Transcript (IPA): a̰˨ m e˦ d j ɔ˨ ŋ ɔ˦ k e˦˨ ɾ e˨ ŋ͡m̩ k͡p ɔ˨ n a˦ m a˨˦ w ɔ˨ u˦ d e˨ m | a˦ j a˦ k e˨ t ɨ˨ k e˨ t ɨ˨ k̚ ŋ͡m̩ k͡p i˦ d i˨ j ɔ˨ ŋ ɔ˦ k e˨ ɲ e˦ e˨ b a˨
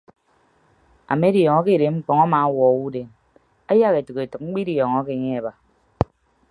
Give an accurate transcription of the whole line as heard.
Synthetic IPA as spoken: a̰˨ m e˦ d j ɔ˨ ŋ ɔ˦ k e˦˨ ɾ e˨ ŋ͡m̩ k͡p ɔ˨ ŋ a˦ m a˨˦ w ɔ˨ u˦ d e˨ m | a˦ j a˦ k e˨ t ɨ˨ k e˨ t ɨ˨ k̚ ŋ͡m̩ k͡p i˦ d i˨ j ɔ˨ ŋ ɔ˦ k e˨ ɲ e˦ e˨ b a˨